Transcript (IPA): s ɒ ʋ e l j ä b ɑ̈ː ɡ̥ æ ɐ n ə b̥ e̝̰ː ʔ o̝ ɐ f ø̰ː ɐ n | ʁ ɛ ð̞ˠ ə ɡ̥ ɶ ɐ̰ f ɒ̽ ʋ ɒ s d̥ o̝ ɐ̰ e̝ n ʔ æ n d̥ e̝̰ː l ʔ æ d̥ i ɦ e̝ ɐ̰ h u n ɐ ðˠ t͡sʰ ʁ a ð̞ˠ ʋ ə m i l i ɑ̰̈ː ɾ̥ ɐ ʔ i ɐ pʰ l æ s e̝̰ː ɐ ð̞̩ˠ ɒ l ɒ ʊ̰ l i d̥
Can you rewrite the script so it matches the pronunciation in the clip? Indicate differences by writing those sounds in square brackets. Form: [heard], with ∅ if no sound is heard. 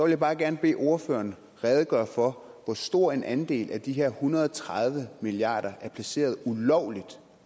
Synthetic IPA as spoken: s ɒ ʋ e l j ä b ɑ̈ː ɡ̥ æ ɐ n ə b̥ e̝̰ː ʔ o̝ ɐ f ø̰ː ɐ n | ʁ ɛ ð̞ˠ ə ɡ̥ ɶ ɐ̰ f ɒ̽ ʋ ɒ s d̥ o̝ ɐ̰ e̝ n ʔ æ n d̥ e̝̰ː l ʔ æ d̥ i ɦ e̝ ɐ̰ h u n ɐ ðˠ t͡sʰ ʁ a ð̞ˠ ʋ ə m i l i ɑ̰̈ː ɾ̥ ɐ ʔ [æ] ɐ pʰ l æ s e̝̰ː ɐ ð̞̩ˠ [u] l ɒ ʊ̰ l i d̥